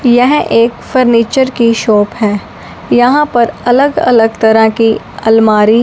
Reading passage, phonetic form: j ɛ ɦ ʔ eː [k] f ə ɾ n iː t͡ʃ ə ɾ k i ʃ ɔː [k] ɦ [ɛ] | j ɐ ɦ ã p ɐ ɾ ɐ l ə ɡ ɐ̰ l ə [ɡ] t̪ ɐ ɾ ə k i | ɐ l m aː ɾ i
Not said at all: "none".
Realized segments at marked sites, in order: k, p, ɛː, ɡ

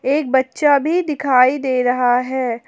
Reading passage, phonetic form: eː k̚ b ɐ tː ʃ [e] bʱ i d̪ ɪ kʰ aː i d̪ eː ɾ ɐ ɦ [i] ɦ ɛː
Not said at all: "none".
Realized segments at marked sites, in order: a, a

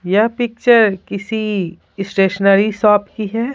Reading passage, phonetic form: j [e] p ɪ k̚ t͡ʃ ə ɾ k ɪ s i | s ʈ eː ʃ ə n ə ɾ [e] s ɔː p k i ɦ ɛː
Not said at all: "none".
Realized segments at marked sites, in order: a, i

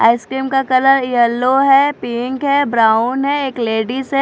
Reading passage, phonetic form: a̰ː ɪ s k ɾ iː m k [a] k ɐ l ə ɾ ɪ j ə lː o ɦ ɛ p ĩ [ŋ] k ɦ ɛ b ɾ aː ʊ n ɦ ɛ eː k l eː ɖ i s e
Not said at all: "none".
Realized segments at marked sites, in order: a, ŋ

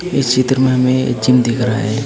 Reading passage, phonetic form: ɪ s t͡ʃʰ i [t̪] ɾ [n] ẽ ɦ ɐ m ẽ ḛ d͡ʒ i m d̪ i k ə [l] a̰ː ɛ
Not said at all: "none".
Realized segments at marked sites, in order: t̪, m, ɾ

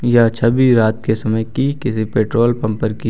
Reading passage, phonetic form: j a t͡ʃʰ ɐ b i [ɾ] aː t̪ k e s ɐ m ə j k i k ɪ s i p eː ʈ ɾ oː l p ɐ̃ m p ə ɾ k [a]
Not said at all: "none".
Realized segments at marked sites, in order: ɾ, i

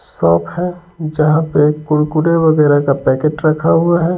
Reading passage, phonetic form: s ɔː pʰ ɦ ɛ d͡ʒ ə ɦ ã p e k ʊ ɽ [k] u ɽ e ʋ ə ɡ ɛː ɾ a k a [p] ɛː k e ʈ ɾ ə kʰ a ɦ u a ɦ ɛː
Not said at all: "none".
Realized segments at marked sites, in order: k, p

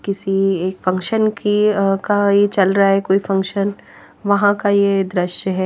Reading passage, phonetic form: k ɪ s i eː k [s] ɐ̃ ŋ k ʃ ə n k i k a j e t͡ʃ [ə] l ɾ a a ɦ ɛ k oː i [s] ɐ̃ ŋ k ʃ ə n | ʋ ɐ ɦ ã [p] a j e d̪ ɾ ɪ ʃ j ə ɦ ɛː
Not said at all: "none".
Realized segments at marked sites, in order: f, ɐ, f, k

